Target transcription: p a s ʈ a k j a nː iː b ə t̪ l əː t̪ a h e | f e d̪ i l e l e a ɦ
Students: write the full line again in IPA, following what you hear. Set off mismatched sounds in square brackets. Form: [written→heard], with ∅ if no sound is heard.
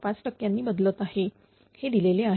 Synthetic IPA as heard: p a [s→t͡s] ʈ [a→ə] k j a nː iː b ə [t̪→d̪] l [əː→ə] t̪ a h e | [f→h] e d̪ i l e l e a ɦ